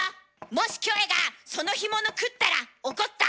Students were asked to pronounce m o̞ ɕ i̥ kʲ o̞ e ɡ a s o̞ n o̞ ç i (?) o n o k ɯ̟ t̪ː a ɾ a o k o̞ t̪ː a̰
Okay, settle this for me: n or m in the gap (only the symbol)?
m